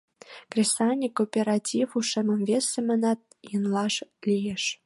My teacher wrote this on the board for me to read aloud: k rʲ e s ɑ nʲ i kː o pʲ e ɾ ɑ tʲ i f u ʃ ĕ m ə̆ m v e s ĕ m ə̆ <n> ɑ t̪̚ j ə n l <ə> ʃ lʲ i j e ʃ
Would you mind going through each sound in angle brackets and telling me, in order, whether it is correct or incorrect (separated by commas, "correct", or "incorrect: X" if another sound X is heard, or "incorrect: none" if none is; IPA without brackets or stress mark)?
correct, incorrect: ɑ